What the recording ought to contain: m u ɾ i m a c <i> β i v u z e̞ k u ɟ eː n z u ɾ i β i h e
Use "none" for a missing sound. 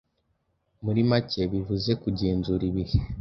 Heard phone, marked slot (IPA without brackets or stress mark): e